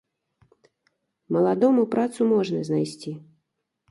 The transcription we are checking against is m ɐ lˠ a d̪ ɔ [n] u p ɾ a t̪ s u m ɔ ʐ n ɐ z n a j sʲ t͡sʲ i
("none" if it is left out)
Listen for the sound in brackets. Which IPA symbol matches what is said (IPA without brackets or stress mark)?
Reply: m